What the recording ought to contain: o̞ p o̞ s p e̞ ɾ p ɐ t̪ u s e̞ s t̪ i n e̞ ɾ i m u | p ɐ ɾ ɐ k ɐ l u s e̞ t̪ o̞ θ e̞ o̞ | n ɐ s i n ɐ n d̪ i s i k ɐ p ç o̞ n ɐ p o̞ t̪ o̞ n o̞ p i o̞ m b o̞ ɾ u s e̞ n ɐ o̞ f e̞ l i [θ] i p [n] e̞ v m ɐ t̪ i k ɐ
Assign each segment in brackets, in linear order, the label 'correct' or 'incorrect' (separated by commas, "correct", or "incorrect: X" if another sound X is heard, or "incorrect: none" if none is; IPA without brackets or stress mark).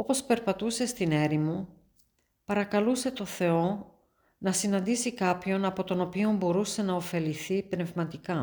correct, correct